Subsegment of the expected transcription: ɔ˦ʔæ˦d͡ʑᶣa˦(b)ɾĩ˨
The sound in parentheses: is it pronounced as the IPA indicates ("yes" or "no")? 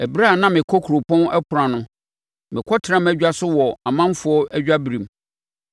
yes